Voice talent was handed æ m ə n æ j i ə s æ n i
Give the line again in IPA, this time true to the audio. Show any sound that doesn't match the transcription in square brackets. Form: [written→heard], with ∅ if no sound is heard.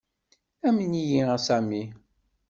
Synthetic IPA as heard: æ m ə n [æ→i] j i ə s æ [n→m] i